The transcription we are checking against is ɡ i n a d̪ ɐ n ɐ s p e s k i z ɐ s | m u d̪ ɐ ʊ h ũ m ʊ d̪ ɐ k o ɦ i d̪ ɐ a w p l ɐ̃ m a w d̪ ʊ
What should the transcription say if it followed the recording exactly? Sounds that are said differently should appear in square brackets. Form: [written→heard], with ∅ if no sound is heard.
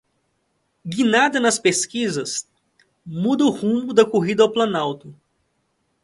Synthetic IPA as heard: ɡ i n a d̪ ɐ n ɐ s p e s k i z ɐ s | m u d̪ ɐ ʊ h ũ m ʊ d̪ ɐ k o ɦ i d̪ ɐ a w p l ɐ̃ [m→n] a w [d̪→t̪] ʊ